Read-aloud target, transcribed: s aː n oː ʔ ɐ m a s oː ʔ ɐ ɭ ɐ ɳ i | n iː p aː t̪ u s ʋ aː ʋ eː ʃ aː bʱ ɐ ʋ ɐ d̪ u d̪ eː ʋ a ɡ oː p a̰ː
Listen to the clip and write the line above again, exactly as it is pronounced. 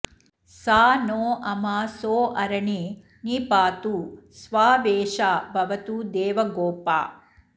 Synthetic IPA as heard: s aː n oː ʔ ɐ m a s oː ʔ ɐ ɾ ɐ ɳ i | n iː p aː t̪ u s ʋ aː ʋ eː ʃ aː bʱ ɐ ʋ ɐ t̪ u d̪ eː ʋ ɐ ɡ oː p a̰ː